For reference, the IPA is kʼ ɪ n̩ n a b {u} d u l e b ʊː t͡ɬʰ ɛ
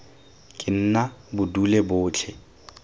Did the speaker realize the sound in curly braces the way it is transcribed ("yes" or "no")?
no